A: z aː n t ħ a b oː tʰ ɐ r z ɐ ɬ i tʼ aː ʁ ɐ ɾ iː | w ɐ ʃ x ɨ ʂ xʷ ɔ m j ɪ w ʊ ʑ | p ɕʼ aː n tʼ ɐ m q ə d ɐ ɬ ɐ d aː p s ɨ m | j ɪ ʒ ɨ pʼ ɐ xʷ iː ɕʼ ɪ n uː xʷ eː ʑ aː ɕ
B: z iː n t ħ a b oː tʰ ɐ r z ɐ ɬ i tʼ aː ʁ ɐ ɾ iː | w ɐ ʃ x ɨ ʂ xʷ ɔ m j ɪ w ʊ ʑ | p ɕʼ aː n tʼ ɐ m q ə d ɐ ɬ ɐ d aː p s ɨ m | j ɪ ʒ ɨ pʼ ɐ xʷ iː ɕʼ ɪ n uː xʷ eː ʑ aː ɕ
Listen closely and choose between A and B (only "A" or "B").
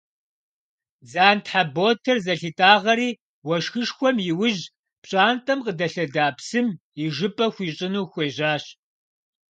A